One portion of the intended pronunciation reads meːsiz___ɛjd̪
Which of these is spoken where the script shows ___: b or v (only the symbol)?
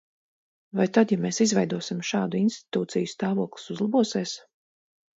v